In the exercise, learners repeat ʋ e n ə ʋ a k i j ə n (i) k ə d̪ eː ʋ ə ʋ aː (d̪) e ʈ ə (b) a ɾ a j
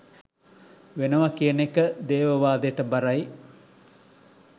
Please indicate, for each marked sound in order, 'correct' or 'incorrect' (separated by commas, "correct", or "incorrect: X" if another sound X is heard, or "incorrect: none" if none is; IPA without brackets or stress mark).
incorrect: e, correct, correct